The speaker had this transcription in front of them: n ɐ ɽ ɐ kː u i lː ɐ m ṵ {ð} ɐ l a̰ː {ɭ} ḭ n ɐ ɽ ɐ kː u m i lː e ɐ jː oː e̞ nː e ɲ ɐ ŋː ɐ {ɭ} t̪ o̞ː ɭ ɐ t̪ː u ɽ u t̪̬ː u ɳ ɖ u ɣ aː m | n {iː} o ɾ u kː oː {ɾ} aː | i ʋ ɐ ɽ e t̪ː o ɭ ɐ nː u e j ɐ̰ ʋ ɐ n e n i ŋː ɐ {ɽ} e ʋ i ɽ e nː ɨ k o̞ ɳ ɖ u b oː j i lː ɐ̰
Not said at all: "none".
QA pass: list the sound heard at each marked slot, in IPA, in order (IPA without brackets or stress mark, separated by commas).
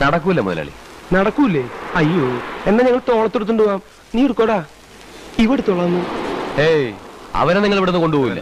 ð, ɭ, ɭ, iː, ɽ, ɭ